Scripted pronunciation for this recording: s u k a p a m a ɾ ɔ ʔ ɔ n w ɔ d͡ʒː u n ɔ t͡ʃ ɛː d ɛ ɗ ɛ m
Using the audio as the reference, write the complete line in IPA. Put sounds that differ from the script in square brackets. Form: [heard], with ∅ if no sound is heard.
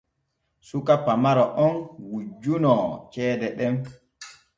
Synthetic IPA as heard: s u k a p a m a ɾ ɔ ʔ ɔ n w [u] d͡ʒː u n ɔ t͡ʃ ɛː d ɛ ɗ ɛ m